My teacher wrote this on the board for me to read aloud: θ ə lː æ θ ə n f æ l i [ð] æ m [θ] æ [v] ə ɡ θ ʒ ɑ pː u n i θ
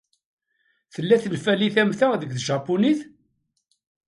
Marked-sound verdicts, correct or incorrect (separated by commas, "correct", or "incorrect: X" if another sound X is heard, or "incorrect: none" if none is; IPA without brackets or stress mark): incorrect: θ, correct, incorrect: ð